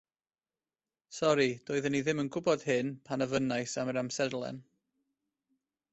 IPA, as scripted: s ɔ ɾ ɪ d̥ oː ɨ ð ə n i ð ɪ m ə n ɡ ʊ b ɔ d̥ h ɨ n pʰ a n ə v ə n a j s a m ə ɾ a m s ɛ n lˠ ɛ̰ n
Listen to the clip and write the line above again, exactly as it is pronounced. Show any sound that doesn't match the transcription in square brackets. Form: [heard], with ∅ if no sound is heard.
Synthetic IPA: s ɔ ɾ [i] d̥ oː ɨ ð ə n i ð ɪ m ə n ɡ ʊ b ɔ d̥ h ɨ n pʰ a n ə v ə n a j s a m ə ɾ a m s ɛ [d] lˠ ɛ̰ n